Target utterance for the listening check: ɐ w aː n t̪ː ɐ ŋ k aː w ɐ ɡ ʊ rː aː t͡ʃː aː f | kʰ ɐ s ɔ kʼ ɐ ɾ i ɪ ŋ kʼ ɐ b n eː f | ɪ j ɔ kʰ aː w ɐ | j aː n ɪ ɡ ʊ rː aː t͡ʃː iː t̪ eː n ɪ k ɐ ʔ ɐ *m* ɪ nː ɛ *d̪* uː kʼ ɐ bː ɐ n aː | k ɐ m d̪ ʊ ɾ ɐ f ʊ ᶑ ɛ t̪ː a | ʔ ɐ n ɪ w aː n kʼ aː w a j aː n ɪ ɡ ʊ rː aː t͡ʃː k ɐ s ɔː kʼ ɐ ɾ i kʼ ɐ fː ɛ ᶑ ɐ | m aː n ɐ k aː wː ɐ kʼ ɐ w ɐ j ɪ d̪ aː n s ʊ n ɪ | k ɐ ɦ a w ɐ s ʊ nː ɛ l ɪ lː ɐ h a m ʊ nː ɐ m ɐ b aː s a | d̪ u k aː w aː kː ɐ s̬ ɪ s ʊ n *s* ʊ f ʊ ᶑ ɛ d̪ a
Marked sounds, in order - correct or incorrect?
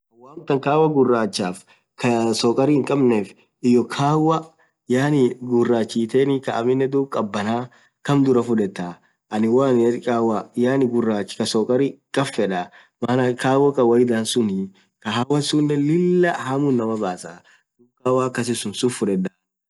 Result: correct, correct, correct

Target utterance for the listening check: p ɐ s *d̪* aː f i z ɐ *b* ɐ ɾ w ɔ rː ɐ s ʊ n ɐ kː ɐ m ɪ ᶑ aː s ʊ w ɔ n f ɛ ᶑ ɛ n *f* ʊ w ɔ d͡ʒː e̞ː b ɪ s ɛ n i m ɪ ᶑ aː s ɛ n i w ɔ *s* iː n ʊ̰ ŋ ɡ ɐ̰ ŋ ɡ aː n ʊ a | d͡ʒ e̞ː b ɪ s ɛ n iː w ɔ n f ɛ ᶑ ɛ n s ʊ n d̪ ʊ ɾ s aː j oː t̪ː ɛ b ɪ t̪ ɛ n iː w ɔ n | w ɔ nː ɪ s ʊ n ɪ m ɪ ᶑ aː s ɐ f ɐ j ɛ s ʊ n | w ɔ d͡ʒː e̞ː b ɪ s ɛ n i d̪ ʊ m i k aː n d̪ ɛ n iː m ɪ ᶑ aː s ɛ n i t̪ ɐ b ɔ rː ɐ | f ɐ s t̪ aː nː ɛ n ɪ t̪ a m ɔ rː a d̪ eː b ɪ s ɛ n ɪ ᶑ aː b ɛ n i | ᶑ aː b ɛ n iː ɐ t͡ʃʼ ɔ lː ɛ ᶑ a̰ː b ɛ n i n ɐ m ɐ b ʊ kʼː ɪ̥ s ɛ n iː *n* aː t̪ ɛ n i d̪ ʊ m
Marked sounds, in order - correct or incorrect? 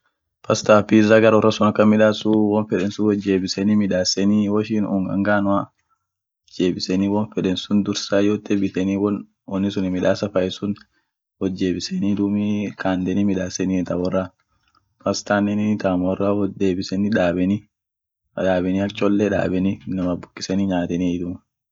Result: incorrect: t̪, incorrect: ɡ, incorrect: s, incorrect: ʃ, incorrect: ɲ

